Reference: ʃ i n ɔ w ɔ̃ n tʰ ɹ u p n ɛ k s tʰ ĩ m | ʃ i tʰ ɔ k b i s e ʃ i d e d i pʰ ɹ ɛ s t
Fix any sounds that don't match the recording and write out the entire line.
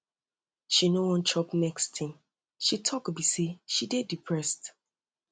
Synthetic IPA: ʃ i n o w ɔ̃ n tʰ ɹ ɔ p n ɛ k s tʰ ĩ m | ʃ i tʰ ɔ k b i s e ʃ i d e d i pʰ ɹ ɛ s t